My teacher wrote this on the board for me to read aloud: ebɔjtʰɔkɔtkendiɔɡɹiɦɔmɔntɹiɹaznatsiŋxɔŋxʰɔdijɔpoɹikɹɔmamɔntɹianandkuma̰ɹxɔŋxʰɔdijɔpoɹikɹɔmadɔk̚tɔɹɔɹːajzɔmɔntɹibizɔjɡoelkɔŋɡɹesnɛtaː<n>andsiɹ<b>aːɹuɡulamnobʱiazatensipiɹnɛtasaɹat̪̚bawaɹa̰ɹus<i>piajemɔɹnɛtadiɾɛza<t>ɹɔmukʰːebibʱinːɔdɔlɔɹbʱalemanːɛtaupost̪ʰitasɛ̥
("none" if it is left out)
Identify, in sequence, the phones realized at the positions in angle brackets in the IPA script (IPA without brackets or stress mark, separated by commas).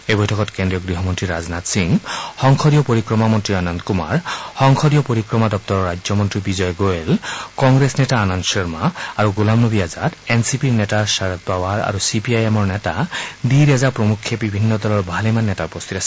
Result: n, m, i, p